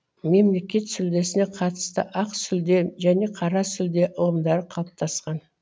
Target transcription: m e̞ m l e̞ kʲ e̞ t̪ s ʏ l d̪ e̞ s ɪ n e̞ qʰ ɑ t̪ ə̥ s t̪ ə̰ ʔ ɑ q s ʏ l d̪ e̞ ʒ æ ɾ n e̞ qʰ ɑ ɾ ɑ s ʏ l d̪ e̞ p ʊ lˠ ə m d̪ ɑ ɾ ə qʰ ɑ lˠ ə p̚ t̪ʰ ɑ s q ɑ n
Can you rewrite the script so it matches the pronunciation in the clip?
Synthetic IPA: m e̞ m l e̞ kʲ e̞ t̪ s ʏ l d̪ e̞ s ɪ n e̞ qʰ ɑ t̪ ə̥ s t̪ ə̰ ʔ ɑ q s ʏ l d̪ e̞ ʒ æ n e̞ qʰ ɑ ɾ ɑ s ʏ l d̪ e̞ ʔ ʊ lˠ ə m d̪ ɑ ɾ ə qʰ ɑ lˠ ə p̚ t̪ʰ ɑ s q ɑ n